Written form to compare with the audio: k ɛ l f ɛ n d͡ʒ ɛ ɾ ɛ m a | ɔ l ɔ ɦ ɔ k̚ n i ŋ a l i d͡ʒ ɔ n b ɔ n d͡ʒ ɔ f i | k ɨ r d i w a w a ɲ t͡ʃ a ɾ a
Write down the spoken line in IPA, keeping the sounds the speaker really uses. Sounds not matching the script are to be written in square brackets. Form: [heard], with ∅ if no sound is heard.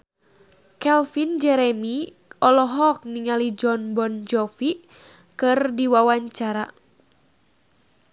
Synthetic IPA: k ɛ l f [i] n d͡ʒ ɛ ɾ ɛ m [i] | ɔ l ɔ ɦ ɔ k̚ n i ŋ a l i d͡ʒ ɔ n b ɔ n d͡ʒ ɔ f i | k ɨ r d i w a w a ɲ t͡ʃ a ɾ a